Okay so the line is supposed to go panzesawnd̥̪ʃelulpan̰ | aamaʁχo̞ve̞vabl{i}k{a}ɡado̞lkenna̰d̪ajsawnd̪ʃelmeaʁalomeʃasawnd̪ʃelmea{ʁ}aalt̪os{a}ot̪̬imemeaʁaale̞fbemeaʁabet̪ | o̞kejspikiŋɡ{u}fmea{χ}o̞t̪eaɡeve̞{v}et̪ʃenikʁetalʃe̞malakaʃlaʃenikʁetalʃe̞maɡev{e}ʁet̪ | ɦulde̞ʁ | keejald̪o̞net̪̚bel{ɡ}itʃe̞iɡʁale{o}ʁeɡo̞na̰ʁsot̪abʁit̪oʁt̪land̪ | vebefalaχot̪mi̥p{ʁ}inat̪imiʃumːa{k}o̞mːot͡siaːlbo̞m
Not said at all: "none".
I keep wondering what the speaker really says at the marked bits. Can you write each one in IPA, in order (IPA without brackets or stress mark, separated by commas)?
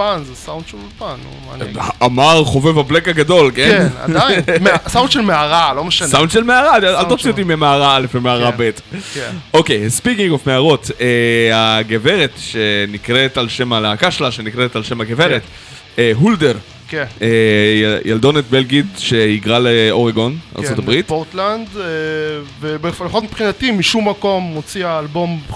e, a, ʁ, i, o, ʁ, ʁ, e, ɡ, o, χ, k